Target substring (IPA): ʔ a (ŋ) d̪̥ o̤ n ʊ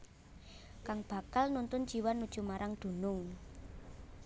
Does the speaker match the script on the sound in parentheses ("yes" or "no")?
yes